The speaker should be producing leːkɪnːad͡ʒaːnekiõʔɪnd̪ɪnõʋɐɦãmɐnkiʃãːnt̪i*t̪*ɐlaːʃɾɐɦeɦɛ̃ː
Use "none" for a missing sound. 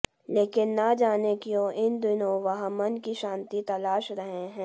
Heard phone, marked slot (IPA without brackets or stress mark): t̪